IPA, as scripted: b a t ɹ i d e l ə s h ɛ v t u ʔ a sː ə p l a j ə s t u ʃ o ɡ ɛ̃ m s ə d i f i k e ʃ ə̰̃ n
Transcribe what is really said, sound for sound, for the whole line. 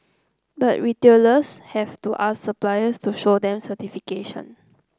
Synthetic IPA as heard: b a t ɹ i t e l ə s h ɛ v t u ʔ a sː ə p l a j ə s t u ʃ o d ɛ̃ m s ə t i f i k e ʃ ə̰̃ n